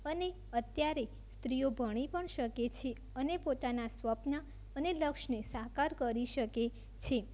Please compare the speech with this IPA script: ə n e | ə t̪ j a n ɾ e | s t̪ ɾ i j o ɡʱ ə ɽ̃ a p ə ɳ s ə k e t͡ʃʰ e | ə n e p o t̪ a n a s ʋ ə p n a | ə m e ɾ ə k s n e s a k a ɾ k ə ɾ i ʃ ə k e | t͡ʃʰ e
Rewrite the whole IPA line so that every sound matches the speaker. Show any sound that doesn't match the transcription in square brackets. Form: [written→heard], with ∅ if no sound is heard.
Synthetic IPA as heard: ə n e | ə t̪ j a [n→∅] ɾ e | s t̪ ɾ i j o [ɡʱ→bʱ] ə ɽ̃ [a→i] p ə ɳ [s→ʃ] ə k e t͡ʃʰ e | ə n e p o t̪ a n a s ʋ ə p n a | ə [m→n] e [ɾ→l] ə k [s→ʃ] n e s a k a ɾ k ə ɾ i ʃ ə k e | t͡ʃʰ e